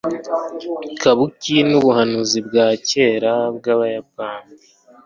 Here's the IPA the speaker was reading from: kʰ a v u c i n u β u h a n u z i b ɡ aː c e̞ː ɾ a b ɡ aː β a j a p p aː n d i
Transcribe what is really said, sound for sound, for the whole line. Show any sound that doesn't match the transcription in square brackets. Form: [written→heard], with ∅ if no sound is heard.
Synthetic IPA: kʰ a [v→β] u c i n u β u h a n u z i b ɡ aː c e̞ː ɾ a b ɡ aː β a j a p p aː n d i